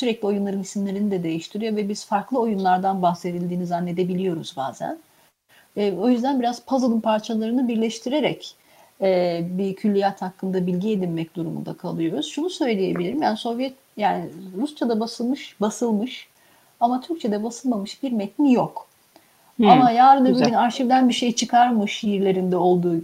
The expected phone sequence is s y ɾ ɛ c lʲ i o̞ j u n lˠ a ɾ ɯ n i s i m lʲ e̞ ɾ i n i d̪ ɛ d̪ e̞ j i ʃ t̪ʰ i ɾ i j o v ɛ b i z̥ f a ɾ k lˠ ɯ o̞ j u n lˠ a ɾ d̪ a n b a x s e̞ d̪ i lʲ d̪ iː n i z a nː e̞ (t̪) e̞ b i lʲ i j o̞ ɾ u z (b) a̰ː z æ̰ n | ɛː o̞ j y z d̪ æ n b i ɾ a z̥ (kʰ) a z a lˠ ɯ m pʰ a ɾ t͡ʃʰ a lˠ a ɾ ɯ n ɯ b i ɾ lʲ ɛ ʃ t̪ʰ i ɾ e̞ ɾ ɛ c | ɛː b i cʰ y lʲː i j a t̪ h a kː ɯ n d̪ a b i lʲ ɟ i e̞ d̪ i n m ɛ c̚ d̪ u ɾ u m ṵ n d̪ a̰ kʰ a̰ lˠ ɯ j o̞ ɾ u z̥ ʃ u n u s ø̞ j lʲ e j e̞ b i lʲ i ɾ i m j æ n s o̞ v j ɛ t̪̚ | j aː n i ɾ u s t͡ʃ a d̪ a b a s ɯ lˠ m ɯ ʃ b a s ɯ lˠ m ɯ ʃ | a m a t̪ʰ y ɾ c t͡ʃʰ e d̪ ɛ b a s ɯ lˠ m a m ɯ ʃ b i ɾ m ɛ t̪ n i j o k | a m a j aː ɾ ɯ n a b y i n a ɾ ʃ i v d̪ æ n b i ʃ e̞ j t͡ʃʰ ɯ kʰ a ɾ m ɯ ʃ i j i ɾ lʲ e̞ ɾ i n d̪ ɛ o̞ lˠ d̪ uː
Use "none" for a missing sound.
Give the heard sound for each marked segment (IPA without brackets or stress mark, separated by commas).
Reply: d̪, b, pʰ